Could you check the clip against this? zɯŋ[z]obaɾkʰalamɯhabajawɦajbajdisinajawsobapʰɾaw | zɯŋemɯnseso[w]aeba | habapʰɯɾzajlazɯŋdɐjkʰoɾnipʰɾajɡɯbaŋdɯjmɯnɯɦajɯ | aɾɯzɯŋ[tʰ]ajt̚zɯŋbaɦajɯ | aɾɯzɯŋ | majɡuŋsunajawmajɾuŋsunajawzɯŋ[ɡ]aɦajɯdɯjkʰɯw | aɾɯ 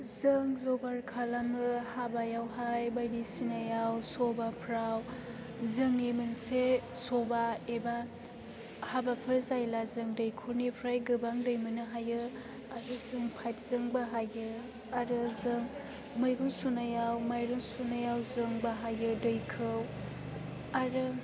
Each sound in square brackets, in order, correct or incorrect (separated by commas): correct, incorrect, incorrect, incorrect